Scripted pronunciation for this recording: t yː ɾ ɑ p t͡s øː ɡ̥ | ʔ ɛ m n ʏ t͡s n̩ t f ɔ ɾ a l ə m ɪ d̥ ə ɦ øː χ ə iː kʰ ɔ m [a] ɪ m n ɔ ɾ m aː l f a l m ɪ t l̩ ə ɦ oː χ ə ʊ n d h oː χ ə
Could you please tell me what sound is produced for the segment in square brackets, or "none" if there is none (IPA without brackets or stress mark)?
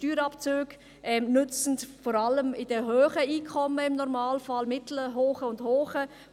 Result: ə